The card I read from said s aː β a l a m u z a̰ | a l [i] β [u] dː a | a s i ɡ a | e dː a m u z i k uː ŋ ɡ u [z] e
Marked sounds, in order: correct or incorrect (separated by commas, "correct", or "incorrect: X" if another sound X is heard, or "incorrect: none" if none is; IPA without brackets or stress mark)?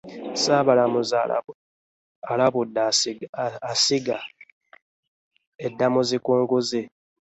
incorrect: a, correct, correct